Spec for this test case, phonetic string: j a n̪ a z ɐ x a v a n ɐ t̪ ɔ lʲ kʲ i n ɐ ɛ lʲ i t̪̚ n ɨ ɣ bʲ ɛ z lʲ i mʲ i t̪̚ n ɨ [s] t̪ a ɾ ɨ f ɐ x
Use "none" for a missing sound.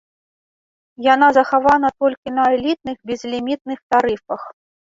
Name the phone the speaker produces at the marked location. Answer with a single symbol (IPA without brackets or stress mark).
x